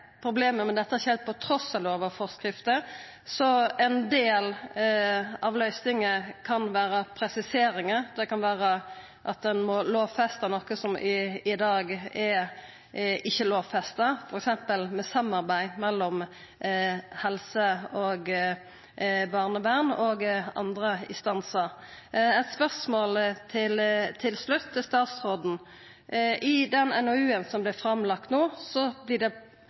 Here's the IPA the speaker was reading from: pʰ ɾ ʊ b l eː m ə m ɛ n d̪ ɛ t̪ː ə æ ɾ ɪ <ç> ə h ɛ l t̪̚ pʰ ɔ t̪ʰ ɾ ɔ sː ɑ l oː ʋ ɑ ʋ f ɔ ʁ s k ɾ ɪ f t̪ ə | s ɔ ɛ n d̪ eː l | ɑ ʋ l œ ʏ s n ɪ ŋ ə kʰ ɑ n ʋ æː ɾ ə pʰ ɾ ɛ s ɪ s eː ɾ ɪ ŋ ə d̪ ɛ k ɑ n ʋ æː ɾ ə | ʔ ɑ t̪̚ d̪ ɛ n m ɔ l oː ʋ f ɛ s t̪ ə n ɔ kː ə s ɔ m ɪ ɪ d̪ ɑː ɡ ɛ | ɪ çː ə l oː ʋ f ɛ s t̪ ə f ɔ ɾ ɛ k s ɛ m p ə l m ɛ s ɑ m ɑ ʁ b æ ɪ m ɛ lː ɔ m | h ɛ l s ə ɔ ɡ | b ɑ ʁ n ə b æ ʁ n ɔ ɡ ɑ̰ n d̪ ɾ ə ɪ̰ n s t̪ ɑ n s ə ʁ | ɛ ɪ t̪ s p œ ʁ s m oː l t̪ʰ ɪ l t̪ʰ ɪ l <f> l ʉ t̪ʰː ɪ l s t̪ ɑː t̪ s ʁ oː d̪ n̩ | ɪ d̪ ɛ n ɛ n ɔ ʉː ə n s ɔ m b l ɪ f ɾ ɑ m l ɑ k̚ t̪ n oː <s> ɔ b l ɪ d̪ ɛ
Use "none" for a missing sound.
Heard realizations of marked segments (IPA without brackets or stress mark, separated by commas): ç, s, s